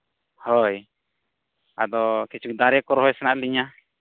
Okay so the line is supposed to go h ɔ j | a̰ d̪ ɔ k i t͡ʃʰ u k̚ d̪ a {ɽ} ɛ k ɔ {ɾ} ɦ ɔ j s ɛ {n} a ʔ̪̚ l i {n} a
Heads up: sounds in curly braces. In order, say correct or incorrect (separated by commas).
incorrect, correct, correct, incorrect